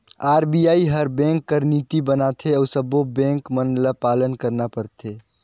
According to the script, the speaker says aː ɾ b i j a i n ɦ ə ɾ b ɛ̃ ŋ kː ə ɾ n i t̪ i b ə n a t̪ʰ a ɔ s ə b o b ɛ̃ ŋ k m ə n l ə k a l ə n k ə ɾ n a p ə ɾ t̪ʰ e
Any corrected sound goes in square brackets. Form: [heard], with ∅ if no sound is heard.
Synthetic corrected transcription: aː ɾ b i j a i [∅] ɦ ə ɾ b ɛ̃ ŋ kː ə ɾ n i t̪ i b ə n a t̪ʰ [e] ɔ s ə b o b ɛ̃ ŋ k m ə n l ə [p] a l ə n k ə ɾ n a p ə ɾ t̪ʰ e